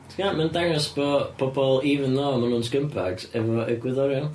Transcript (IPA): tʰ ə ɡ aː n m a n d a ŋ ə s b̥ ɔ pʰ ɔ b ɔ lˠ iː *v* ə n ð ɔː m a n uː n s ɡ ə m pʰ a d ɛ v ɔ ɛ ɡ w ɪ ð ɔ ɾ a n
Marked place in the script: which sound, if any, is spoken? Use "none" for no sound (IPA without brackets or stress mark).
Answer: v